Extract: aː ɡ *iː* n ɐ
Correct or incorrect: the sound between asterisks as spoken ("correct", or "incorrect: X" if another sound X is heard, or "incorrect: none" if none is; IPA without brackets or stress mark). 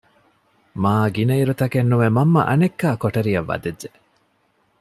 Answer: incorrect: i